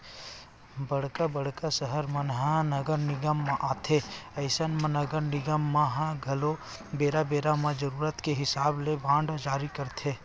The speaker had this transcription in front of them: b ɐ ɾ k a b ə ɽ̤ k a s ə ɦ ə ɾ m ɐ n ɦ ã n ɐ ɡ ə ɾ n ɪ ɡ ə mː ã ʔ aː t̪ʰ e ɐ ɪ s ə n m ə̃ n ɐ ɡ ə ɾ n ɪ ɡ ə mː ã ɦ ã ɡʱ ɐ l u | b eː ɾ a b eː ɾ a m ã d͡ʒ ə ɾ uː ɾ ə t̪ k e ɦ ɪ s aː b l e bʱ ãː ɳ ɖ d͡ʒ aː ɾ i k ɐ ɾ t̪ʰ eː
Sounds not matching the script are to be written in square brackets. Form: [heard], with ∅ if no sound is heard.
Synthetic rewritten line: b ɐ [ɽ] k a b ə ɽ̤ k a s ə ɦ ə ɾ m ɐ n ɦ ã n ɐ ɡ ə ɾ n ɪ ɡ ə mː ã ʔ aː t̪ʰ e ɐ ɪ s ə n m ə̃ n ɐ ɡ ə ɾ n ɪ ɡ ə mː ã ɦ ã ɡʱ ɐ l [o] | b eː ɾ a b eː ɾ a m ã d͡ʒ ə ɾ uː ɾ ə t̪ k e ɦ ɪ s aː b l e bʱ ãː ɳ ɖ d͡ʒ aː ɾ i k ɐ ɾ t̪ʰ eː